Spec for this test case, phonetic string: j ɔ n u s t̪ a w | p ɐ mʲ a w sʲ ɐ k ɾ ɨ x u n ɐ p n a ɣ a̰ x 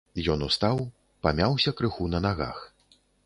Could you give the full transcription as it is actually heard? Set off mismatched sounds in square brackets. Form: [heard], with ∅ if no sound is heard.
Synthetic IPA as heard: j ɔ n u s t̪ a w | p [a] mʲ a w sʲ ɐ k ɾ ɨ x u n ɐ [∅] n a ɣ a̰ x